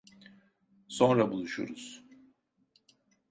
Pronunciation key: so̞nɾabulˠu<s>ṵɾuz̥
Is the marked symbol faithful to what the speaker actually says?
no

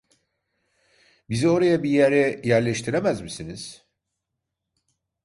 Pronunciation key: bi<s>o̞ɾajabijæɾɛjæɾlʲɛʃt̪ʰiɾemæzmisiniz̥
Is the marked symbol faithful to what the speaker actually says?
no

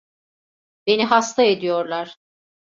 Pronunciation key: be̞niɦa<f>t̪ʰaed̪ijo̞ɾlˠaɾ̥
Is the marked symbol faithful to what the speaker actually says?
no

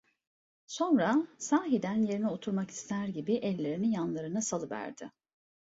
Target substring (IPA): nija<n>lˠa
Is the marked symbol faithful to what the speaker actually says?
yes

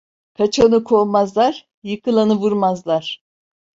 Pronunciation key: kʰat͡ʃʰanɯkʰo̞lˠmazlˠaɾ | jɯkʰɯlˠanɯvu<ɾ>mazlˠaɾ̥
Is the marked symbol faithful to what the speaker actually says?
yes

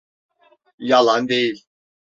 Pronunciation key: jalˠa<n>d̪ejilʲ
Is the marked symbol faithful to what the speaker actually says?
yes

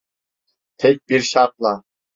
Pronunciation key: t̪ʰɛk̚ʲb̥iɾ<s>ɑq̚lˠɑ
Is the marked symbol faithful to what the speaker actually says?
no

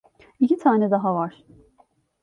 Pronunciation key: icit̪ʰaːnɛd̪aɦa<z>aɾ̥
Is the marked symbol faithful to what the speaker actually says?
no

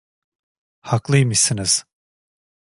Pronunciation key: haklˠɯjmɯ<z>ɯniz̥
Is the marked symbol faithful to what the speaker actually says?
no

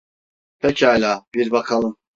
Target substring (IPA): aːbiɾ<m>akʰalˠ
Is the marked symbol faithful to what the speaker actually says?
no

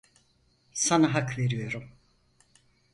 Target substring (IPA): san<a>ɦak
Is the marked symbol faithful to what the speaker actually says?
yes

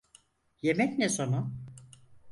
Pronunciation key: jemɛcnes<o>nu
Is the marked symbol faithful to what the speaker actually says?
yes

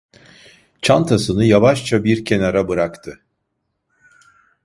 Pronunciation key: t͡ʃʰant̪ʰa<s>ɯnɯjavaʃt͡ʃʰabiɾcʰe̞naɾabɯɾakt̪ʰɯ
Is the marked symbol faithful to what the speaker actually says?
yes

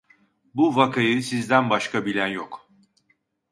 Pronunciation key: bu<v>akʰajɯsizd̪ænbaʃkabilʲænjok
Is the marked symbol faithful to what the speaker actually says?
yes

